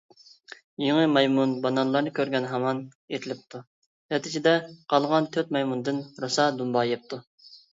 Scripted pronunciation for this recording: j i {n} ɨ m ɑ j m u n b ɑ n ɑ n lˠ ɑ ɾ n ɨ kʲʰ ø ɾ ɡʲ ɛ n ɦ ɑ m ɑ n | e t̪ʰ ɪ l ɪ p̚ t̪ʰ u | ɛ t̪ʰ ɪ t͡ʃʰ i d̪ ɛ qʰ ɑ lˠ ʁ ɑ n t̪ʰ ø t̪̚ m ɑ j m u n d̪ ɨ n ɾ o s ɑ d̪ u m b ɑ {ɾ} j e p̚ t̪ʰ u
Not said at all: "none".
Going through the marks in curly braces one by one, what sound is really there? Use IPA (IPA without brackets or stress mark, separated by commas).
ŋ, none